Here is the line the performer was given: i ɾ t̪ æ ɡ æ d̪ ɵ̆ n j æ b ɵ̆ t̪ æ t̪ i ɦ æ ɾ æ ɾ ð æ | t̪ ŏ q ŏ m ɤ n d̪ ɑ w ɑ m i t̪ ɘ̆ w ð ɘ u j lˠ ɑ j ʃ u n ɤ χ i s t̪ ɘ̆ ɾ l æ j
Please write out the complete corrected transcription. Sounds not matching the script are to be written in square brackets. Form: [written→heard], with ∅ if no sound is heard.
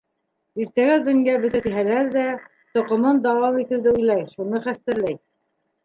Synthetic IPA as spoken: i ɾ t̪ æ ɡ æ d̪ ɵ̆ n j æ b ɵ̆ t̪ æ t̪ i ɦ æ [ɾ→l] æ ɾ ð æ | t̪ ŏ q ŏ m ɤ n d̪ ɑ w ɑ m i t̪ ɘ̆ w ð ɘ u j lˠ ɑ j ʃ u n ɤ χ [i→æ] s t̪ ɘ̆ ɾ l æ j